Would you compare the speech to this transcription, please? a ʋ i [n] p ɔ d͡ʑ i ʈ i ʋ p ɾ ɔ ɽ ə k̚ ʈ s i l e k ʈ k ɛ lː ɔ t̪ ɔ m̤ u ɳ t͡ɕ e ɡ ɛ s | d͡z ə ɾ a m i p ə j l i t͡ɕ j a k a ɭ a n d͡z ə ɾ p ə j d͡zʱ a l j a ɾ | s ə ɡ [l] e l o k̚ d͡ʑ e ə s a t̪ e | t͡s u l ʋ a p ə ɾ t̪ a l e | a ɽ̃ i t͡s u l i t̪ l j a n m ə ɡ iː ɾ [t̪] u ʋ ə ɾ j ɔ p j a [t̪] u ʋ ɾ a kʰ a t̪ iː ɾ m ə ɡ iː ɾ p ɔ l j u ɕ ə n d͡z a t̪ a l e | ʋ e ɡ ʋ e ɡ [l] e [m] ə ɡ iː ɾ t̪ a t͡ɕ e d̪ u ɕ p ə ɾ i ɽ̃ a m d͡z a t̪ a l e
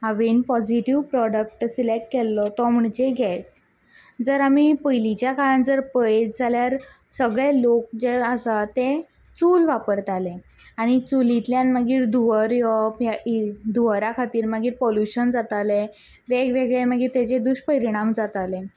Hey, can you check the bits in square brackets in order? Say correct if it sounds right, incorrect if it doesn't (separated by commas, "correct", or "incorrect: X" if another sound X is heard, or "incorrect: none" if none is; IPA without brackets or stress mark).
correct, incorrect: ɭ, incorrect: d̪, incorrect: d̪, incorrect: ɭ, correct